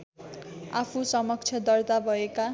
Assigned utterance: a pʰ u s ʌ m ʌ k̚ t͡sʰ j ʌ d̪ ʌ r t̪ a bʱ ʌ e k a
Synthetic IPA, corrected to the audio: a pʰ u s ʌ m ʌ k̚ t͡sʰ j ʌ d̪ ʌ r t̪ a bʱ ʌ e k a

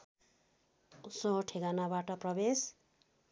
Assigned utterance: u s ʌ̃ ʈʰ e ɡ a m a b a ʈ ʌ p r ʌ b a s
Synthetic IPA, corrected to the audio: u s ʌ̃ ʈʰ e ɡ a n a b a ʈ ʌ p r ʌ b e s

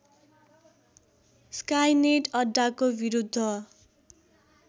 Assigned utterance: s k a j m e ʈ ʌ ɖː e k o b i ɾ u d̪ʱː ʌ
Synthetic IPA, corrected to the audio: s k a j n e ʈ ʌ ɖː a k o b i ɾ u d̪ʱː ʌ

